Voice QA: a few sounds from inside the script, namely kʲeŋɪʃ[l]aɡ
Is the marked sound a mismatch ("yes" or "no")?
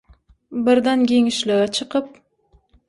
no